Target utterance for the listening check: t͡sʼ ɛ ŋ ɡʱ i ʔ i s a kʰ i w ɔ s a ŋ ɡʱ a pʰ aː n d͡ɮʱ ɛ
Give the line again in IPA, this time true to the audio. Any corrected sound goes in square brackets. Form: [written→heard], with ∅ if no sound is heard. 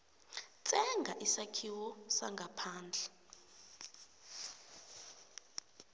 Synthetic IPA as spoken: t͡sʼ ɛ ŋ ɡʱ [i→a] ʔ i s a kʰ i w ɔ s a ŋ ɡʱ a pʰ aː n d͡ɮʱ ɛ